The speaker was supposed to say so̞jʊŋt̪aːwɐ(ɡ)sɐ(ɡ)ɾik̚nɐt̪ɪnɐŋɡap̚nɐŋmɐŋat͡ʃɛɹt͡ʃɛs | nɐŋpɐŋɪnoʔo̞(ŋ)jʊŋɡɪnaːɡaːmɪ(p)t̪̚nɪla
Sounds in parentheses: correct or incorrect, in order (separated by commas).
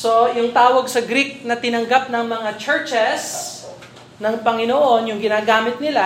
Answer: correct, correct, incorrect, incorrect